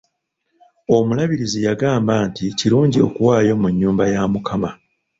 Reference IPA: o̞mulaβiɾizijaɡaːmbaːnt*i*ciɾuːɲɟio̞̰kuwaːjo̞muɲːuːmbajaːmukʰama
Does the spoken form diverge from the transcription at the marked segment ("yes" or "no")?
no